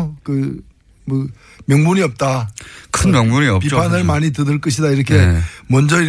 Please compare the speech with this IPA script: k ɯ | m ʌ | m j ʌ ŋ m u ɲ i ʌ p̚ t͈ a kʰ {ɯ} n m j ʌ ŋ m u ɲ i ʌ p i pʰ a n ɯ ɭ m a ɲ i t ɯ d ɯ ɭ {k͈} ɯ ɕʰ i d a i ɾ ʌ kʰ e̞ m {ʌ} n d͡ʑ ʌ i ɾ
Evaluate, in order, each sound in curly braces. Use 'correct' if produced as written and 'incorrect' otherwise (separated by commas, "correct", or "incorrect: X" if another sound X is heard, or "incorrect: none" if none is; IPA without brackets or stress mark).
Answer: correct, correct, correct